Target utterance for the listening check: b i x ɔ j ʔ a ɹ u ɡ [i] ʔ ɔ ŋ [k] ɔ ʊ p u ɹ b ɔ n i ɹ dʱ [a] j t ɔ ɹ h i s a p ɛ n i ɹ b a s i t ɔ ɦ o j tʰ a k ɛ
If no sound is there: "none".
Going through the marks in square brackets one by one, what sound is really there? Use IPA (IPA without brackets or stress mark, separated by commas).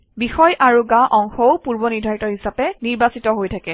a, x, a